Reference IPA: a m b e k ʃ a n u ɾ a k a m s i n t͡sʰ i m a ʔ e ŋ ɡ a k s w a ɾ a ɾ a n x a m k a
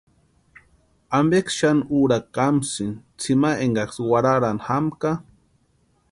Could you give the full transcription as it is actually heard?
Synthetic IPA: a m b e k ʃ a n u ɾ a k a m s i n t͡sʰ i m a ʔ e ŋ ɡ a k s w a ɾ a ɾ a n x a m k a